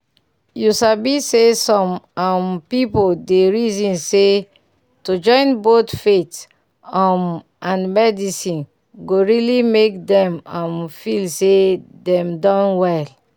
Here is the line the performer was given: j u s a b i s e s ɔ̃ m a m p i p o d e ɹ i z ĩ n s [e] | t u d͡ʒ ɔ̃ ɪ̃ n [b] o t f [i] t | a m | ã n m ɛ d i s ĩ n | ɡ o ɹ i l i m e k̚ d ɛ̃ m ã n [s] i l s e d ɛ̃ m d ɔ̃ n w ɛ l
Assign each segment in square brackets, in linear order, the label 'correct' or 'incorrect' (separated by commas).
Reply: correct, correct, incorrect, incorrect